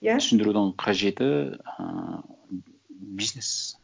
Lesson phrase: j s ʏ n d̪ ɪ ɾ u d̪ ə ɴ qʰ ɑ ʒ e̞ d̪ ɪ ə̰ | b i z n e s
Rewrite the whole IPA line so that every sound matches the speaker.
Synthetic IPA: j s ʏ n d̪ ɪ ɾ u d̪ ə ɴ qʰ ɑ ʒ e̞ t̪ ɪ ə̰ | b i z n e s